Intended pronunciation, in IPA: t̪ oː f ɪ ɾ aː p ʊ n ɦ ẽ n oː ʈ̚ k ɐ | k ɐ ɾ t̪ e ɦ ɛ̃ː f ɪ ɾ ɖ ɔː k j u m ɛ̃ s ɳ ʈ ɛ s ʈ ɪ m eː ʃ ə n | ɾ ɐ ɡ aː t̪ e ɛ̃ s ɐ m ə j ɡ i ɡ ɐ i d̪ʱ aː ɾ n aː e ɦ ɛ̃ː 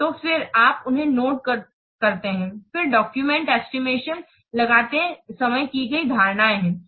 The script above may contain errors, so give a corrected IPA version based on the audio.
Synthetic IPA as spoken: t̪ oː f ɪ ɾ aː p ʊ n ɦ ẽ n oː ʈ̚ k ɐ | k ɐ ɾ t̪ e ɦ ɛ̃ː f ɪ ɾ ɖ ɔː k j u m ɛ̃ ɳ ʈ ɛ s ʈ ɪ m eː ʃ ə n | l ɐ ɡ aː t̪ e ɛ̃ s ɐ m ə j k i ɡ ɐ i d̪ʱ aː ɾ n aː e ɦ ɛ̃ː